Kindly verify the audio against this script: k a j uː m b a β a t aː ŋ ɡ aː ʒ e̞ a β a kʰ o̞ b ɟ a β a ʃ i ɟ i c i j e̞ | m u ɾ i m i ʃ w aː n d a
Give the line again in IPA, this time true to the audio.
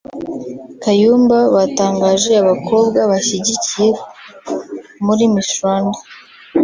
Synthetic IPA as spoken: k a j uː m b a β a t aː ŋ ɡ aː ʒ e̞ a β a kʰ o̞ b ɡ a β a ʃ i ɟ i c i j e̞ | m u ɾ i m i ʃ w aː n d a